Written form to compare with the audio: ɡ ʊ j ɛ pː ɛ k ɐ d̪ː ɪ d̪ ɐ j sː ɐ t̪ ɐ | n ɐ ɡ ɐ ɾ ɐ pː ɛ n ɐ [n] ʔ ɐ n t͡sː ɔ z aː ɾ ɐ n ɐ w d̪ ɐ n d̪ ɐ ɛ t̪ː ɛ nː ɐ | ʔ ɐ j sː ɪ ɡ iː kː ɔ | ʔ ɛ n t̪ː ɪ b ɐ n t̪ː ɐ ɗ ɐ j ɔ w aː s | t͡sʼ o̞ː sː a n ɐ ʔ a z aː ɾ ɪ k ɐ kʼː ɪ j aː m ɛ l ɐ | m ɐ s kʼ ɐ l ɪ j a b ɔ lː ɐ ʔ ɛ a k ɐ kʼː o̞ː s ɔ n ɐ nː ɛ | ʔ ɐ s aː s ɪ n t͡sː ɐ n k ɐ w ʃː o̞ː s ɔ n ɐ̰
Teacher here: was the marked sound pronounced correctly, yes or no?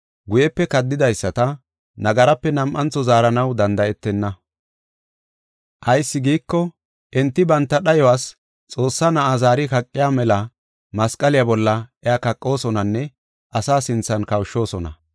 no